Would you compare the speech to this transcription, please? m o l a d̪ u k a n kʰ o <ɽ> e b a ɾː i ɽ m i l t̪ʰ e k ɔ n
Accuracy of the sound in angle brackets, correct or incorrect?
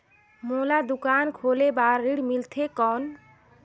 incorrect